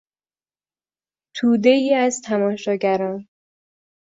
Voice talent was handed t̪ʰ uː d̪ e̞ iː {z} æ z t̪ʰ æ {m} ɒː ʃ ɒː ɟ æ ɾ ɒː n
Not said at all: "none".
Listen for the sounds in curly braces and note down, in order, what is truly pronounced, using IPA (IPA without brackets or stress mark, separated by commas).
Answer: none, m